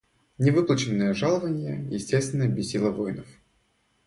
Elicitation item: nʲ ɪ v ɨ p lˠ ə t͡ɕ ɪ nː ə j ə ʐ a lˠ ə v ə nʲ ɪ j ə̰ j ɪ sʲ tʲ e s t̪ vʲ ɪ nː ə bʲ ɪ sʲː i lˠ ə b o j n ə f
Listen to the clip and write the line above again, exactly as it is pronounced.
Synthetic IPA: nʲ ɪ v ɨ p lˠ ə t͡ɕ ɪ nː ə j ə ʐ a lˠ ə v ə nʲ ɪ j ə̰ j ɪ sʲ tʲ e s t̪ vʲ ɪ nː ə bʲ ɪ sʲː i lˠ ə v o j n ə f